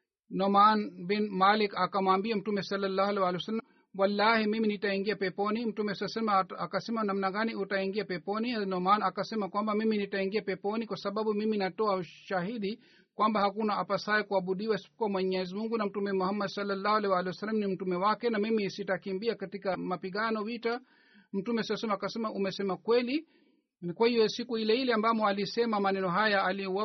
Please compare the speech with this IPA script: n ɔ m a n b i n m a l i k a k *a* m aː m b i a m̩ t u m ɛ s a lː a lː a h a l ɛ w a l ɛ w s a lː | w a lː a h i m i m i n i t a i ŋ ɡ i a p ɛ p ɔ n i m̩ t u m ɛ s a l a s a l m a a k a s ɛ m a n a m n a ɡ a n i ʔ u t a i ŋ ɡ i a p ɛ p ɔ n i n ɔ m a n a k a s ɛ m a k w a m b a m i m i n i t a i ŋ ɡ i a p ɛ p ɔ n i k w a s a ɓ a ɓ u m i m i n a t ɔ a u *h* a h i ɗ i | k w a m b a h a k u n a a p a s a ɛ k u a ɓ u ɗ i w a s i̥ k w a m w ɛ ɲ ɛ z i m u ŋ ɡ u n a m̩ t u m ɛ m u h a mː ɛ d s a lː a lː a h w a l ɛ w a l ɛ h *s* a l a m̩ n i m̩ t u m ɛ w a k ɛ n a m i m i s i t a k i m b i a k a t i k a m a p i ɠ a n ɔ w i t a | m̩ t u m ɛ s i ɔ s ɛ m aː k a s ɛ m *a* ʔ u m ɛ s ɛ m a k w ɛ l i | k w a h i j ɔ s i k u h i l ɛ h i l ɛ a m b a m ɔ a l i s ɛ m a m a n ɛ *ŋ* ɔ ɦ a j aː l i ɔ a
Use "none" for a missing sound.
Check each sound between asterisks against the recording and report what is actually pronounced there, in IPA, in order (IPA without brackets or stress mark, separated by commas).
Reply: a, ʃ, s, a, n